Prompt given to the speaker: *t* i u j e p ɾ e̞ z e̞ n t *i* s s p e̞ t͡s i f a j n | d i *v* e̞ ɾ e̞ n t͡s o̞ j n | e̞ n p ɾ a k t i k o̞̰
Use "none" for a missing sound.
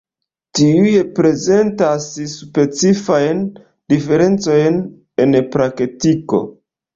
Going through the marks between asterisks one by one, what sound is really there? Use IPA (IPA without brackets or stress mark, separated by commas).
t, a, f